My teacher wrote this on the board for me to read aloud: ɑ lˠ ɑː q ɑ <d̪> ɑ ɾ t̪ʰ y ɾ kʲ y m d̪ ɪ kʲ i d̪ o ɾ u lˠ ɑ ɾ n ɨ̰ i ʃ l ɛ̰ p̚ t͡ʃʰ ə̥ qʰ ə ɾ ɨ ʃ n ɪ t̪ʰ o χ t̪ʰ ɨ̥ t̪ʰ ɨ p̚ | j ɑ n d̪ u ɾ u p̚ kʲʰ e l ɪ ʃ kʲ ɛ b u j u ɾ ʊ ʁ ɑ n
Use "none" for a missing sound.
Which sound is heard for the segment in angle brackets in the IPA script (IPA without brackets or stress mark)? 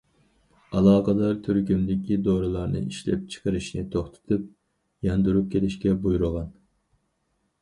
d̪